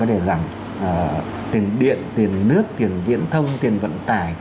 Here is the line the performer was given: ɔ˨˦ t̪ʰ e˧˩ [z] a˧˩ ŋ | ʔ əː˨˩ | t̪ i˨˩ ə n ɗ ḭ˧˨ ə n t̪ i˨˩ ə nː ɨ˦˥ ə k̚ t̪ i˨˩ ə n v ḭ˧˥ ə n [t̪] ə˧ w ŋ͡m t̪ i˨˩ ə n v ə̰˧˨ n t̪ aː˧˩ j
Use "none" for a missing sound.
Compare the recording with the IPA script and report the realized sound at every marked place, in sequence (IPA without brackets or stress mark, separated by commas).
z, t̪ʰ